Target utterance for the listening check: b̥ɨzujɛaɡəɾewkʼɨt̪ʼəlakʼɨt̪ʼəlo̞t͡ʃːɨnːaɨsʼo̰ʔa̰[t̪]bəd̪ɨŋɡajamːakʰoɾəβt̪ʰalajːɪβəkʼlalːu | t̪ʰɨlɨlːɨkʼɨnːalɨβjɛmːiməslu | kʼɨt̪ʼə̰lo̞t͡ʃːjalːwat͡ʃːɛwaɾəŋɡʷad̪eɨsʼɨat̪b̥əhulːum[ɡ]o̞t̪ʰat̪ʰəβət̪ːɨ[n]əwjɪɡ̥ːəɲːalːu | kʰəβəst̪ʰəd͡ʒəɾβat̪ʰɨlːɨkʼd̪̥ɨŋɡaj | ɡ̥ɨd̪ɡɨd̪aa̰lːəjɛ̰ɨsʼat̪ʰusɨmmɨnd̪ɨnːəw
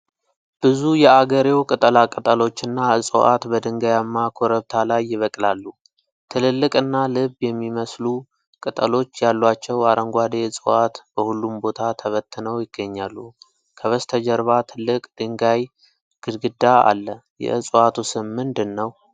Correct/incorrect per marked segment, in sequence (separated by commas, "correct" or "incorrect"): correct, incorrect, correct